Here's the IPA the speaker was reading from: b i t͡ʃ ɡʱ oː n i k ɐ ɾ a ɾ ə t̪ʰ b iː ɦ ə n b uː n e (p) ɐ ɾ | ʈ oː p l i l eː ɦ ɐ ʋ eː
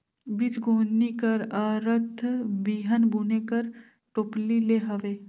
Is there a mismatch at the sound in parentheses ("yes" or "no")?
yes